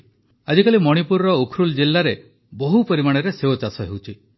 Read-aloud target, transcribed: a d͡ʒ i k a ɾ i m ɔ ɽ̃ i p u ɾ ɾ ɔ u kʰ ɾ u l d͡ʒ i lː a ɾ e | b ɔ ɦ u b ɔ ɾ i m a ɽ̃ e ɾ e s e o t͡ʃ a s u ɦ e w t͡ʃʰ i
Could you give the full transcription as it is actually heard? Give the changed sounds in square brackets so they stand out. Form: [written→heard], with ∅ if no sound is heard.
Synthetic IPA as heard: a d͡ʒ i k a [ɾ→l] i m ɔ ɽ̃ i p u ɾ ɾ ɔ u kʰ ɾ u l d͡ʒ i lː a ɾ e | b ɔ ɦ u [b→p] ɔ ɾ i m a ɽ̃ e ɾ e s e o t͡ʃ a s [u→ɔ] ɦ e w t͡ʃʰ i